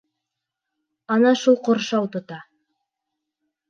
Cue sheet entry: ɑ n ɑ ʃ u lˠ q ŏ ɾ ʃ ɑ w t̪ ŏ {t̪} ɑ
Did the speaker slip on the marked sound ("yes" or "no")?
no